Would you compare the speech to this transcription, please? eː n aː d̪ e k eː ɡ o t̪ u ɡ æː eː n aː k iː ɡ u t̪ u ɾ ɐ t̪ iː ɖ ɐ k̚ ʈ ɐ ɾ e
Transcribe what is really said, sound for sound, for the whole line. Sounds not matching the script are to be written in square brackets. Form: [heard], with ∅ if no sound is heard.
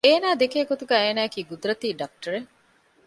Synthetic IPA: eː n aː d̪ e k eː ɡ o t̪ u ɡ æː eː n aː k iː ɡ u [d̪] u ɾ ɐ t̪ iː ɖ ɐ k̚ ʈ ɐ ɾ e